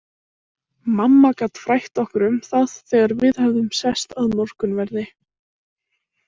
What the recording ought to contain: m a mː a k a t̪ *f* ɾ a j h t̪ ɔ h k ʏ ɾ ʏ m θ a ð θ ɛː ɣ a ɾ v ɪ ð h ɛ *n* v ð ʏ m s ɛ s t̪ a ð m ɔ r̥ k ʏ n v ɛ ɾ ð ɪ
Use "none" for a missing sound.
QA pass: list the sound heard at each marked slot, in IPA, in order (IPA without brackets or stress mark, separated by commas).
f, none